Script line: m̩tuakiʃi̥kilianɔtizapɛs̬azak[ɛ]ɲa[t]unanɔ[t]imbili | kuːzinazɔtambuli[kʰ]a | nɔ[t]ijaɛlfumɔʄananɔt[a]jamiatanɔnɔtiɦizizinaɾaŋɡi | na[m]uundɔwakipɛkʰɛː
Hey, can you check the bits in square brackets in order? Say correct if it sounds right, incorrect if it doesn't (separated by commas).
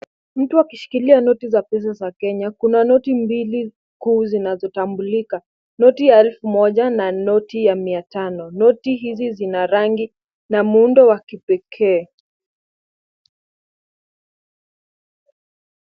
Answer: correct, incorrect, correct, incorrect, correct, incorrect, correct